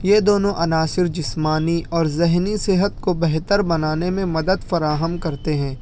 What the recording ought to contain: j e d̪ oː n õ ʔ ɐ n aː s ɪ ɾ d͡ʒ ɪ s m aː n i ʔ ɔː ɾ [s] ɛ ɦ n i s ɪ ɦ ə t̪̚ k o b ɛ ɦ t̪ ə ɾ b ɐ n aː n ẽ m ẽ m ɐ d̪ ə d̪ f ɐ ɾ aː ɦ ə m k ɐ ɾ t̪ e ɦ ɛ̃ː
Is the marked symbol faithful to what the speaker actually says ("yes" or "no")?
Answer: no